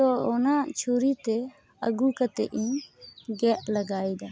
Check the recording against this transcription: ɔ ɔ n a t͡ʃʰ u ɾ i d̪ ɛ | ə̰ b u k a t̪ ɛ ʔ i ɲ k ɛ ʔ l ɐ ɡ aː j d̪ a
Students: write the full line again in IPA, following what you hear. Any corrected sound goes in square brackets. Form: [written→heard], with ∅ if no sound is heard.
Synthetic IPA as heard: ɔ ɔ n a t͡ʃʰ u ɾ i [d̪→t̪] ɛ | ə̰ [b→ɡ] u k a t̪ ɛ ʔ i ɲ [k→ɡ] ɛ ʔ l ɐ ɡ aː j d̪ a